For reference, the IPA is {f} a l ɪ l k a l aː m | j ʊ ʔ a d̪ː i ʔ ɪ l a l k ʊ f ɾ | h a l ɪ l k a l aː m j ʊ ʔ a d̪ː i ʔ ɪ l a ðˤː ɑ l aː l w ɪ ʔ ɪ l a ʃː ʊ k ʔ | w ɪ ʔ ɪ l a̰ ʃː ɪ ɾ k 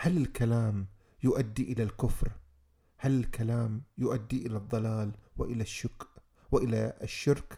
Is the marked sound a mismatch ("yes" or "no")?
yes